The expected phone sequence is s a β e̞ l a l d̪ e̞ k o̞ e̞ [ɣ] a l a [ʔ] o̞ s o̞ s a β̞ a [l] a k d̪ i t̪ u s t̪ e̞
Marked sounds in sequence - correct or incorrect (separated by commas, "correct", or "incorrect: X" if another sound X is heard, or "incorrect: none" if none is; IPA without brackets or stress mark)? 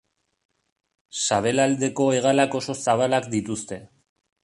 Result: correct, incorrect: k, correct